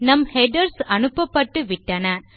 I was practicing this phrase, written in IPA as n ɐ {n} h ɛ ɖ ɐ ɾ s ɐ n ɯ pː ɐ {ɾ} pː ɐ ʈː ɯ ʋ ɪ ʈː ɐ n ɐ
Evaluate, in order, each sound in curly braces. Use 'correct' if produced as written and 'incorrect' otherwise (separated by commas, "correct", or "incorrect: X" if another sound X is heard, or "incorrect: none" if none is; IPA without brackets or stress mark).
incorrect: m, incorrect: none